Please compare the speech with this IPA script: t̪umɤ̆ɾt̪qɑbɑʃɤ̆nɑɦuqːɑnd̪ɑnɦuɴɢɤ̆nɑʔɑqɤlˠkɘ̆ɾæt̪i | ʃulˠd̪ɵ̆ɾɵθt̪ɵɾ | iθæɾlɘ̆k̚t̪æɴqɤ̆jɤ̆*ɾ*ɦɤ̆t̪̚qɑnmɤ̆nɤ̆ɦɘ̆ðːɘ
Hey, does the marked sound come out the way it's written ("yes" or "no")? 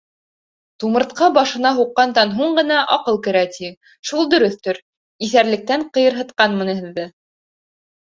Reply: yes